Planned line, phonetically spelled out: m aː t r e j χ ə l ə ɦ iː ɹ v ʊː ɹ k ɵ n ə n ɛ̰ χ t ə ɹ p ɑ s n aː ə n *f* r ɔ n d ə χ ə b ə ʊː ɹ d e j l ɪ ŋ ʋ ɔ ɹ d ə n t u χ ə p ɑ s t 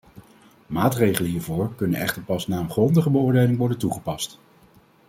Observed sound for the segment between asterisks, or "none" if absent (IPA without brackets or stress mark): χ